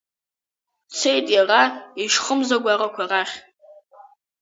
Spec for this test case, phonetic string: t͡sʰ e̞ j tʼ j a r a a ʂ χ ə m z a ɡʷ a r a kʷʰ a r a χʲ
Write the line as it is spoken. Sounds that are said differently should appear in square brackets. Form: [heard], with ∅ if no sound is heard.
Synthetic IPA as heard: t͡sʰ e̞ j tʼ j a r a [i] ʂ χ ə m z a ɡʷ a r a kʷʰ a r a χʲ